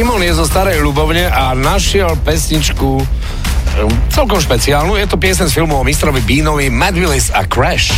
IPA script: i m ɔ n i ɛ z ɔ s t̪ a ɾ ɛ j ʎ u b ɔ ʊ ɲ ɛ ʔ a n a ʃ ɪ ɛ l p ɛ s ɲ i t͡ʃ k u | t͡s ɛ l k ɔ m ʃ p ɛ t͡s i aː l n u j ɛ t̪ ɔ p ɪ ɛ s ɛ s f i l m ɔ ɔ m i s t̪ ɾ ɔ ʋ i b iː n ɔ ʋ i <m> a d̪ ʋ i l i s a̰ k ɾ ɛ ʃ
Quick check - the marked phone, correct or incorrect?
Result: correct